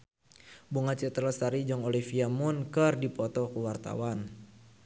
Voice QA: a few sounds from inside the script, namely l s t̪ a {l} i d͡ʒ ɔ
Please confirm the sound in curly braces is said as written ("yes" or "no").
no